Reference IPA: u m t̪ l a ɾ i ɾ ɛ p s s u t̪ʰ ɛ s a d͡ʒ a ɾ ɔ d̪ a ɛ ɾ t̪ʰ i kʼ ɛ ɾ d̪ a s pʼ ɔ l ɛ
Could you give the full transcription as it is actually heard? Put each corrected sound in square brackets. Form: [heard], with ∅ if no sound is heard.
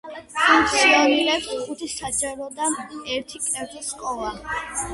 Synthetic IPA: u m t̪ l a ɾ i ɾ ɛ p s [χ] u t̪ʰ [i] s a d͡ʒ a ɾ ɔ d̪ a ɛ ɾ t̪ʰ i kʼ ɛ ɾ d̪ [i] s [kʼ] ɔ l [a]